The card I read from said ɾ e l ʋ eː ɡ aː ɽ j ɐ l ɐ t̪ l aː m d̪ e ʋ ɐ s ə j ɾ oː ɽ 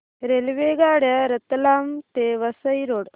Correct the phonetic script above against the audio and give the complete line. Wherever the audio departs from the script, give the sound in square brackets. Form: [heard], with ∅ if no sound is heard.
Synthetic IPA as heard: ɾ e l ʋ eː ɡ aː ɽ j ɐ [ɾ] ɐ t̪ l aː m [t̪] e ʋ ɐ s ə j ɾ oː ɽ